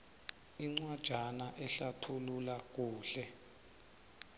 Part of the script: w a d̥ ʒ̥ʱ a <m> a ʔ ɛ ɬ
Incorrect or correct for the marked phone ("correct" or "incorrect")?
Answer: incorrect